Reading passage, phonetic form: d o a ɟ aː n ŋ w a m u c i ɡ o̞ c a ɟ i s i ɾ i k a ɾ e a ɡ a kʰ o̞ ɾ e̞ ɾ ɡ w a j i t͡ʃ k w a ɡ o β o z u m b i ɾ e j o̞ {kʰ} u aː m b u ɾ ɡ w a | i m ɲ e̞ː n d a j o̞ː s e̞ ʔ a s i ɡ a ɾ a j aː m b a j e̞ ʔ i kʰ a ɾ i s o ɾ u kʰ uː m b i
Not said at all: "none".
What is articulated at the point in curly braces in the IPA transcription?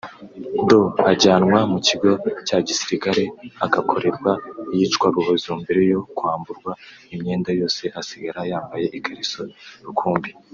k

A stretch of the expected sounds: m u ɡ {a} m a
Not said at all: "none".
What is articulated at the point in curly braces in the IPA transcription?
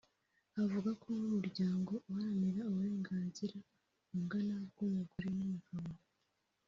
a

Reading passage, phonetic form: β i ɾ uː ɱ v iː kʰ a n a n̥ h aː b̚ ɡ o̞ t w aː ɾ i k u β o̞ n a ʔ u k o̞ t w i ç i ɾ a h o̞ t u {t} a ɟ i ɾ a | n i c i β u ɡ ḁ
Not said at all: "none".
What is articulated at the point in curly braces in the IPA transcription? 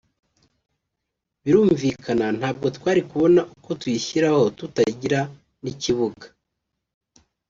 t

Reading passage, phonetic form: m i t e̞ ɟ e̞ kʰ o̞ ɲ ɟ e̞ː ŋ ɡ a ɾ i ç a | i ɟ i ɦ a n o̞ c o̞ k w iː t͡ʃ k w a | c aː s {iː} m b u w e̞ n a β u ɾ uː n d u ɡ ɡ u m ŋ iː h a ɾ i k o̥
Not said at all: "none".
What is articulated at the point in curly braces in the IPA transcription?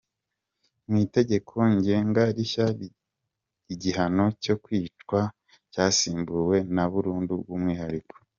iː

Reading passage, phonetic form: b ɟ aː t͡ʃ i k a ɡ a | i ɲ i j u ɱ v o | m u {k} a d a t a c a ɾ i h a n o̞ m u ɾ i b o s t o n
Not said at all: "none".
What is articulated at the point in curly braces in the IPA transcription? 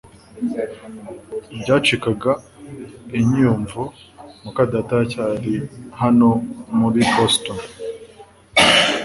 k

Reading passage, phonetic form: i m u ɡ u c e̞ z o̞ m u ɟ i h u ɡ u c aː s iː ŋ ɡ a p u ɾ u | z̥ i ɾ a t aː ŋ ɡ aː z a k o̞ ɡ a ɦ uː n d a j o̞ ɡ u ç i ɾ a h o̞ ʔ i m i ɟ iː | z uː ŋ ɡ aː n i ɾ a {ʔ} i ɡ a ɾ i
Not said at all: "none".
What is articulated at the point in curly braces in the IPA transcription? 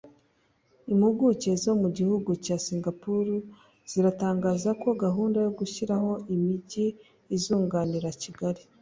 c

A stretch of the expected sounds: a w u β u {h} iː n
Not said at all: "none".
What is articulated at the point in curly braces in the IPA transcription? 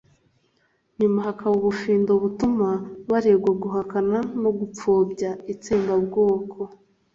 f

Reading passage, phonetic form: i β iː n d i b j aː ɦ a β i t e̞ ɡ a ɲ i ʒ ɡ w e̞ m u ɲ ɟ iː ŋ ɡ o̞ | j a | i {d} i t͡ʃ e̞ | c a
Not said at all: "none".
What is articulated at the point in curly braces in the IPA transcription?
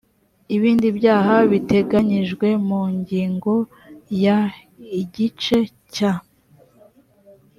ɟ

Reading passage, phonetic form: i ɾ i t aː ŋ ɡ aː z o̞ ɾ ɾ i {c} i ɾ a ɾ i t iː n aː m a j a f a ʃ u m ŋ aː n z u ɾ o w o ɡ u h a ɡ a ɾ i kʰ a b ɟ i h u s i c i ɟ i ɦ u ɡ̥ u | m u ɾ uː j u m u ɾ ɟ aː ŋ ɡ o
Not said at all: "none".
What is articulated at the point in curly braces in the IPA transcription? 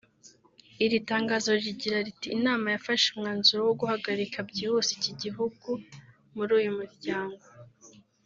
ɟ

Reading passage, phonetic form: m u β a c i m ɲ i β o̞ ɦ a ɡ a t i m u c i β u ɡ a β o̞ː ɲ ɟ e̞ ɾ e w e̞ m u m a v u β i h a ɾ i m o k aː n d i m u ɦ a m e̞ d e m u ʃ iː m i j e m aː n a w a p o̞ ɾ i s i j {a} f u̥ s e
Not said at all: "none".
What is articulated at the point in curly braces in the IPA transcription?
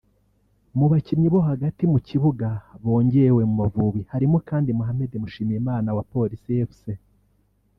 e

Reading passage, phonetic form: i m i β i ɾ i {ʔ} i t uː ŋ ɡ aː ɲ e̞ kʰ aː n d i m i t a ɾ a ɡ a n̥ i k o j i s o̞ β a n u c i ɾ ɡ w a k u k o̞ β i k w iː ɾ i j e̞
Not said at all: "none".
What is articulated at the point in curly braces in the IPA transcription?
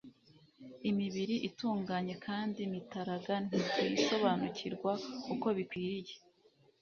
ʔ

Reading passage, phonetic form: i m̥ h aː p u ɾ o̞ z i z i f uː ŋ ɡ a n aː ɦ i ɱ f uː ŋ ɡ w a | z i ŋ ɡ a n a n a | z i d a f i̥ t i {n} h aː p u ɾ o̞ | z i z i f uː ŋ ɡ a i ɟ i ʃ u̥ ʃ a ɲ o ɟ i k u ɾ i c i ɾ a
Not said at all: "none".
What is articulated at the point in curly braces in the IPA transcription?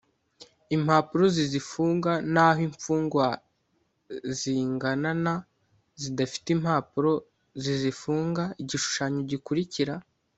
m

